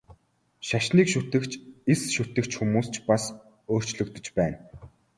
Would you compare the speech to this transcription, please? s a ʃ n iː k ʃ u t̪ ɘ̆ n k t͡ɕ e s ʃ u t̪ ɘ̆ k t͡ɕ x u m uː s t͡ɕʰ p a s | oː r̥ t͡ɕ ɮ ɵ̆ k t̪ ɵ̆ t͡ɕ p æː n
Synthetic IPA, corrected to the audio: ʃ a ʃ n iː k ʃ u t̪ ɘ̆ k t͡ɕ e s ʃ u t̪ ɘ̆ k t͡ɕ x u m uː s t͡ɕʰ p a s | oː r̥ t͡ɕ ɮ ɵ̆ k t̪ ɵ̆ t͡ɕ p æː n